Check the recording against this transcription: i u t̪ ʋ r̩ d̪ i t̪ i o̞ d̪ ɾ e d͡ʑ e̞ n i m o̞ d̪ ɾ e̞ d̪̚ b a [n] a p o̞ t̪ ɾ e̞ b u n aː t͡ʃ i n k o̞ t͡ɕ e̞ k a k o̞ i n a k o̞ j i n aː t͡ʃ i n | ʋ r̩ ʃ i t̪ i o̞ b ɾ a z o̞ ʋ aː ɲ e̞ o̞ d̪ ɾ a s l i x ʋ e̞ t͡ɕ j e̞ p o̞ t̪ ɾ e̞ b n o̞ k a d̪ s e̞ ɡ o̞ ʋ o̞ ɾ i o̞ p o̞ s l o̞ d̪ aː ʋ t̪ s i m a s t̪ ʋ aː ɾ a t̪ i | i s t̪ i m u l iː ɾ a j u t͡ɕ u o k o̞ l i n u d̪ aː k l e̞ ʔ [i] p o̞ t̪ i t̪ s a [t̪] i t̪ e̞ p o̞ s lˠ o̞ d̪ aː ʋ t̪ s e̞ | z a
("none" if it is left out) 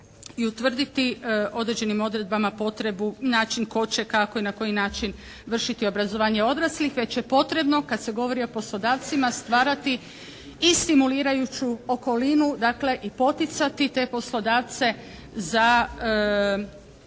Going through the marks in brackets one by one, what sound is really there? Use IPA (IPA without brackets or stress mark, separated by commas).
m, i, t̪